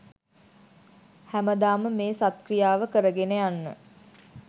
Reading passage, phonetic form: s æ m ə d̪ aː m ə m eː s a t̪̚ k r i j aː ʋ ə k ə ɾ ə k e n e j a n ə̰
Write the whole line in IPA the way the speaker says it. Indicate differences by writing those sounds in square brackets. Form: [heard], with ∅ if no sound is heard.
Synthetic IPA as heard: [h] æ m ə d̪ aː m ə m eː s a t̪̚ k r i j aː ʋ ə k ə ɾ ə [ɡ] e n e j a [nː] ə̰